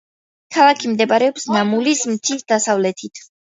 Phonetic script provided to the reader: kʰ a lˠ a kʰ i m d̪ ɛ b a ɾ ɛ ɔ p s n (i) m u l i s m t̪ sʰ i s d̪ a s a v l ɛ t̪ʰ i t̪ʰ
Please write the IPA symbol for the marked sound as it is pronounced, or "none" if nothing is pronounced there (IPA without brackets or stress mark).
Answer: a